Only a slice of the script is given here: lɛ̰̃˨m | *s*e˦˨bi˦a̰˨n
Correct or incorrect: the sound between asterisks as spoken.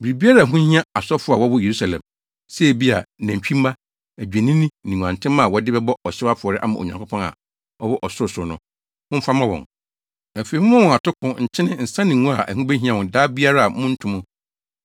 correct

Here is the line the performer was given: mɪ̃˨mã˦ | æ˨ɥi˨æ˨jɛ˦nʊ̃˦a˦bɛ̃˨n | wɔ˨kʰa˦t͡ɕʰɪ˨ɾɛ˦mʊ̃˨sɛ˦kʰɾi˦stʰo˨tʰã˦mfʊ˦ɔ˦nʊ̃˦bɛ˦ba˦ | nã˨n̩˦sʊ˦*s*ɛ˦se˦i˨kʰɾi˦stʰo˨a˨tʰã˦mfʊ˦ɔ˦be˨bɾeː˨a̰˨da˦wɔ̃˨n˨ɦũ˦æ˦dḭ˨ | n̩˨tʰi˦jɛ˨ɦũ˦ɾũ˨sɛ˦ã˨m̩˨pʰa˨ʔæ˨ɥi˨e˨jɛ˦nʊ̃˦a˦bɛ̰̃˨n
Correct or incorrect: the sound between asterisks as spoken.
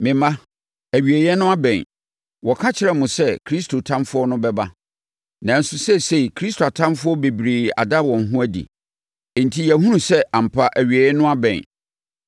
correct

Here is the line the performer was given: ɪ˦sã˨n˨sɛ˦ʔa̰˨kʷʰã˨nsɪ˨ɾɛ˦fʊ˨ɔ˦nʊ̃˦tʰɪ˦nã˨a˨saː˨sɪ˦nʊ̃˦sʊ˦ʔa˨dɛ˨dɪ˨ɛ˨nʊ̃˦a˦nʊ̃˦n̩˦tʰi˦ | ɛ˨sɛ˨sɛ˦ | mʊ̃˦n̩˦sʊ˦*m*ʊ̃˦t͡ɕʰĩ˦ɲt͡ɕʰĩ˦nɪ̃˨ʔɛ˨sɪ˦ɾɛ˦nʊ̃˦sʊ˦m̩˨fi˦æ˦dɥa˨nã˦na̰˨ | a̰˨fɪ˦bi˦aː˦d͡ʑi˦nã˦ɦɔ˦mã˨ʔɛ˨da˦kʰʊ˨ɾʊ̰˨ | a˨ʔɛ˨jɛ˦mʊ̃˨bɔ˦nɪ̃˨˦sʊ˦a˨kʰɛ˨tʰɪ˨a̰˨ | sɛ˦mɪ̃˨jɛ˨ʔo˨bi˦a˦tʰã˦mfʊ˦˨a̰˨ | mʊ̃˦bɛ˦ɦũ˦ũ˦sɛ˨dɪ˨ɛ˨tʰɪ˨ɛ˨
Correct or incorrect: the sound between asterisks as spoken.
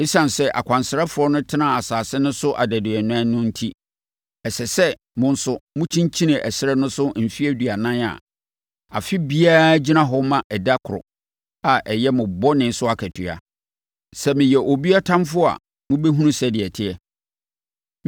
correct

